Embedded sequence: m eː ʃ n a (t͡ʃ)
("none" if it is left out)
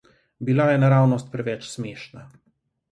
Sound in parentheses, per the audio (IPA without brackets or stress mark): none